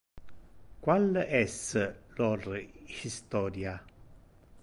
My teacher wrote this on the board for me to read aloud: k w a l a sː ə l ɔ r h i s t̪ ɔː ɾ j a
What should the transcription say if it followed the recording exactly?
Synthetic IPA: k w a l ɛ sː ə l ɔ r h i s t̪ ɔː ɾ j a

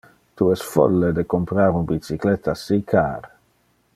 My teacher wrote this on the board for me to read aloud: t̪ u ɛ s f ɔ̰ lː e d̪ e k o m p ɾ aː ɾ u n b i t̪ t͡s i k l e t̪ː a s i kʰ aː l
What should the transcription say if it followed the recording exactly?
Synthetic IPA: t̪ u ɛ s f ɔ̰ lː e d̪ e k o m p ɾ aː ɾ u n b i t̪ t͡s i k l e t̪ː a s i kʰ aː ɾ

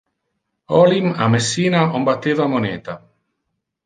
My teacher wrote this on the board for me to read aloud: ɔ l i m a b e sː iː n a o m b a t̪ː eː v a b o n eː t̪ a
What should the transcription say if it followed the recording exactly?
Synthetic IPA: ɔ l i m a m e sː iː n a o m b a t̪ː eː v a m o n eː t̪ a

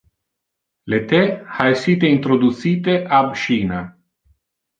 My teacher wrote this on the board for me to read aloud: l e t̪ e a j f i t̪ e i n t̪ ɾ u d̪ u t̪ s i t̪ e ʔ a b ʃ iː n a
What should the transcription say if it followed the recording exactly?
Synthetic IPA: l e t̪ e a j s i t̪ e i n t̪ ɾ o d̪ u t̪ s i t̪ e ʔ a b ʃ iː n a

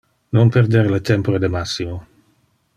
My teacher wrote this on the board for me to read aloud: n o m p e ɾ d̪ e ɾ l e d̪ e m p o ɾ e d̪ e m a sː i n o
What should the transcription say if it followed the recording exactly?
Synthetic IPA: n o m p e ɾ d̪ e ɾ l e t̪ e m p o ɾ e d̪ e m a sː i m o

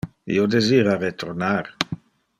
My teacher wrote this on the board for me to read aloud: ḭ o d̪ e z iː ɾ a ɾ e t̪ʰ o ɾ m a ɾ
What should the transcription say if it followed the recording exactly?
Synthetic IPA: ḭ o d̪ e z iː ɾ a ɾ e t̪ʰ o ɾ n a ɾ

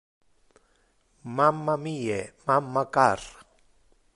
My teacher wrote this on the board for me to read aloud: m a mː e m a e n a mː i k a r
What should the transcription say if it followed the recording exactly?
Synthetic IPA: m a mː a m i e m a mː a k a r

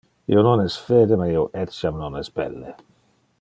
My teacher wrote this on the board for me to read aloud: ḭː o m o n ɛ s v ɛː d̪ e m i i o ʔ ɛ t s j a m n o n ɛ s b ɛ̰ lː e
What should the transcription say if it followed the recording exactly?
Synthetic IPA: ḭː o n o n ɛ s f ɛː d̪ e m a i o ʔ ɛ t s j a m n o n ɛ s b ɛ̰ lː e

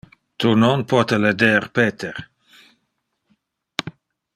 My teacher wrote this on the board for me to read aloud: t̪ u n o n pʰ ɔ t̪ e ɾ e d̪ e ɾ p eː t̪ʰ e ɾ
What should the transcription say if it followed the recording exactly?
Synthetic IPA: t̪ u n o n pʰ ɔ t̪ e l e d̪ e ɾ p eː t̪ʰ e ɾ

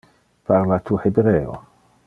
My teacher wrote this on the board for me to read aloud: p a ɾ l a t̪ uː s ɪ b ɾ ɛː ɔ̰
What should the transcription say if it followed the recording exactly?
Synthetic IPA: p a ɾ l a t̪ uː ħ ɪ b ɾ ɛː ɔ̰

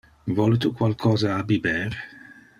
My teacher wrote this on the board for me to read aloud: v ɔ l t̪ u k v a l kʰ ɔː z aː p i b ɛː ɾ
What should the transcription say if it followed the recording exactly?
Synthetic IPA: v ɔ l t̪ u k w a l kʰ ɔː z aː b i b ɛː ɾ

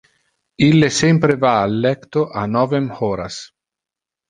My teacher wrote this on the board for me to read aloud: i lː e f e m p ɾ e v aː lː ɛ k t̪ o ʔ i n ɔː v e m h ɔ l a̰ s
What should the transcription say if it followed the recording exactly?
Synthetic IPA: i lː e s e m p ɾ e v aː lː ɛ k t̪ o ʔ a n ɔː v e m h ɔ ɾ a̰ s

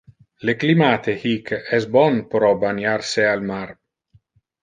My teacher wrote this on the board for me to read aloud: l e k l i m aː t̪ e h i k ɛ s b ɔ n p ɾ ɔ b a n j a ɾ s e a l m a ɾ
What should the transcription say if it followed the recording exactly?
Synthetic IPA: l e k l i m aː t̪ e h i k ɛ s b ɔ n p ɾ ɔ b a n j a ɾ s e a l m a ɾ

